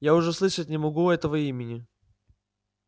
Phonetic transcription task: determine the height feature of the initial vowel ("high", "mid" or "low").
low